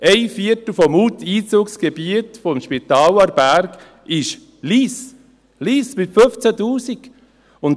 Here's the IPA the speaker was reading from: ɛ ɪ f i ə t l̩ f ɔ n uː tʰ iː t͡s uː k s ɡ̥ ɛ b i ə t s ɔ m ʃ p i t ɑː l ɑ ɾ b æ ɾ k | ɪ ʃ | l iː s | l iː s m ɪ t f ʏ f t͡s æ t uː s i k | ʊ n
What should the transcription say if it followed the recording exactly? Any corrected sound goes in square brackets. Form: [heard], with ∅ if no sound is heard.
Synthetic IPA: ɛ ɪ f i ə t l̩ f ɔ [m] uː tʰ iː t͡s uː k s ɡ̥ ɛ b i ə t [f] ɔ m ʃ p i t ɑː l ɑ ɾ b æ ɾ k | ɪ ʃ | l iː s | l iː s m ɪ t f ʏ f t͡s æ t uː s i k | ʊ n